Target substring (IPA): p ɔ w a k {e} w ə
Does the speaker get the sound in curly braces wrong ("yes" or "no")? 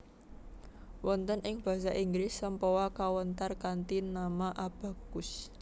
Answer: yes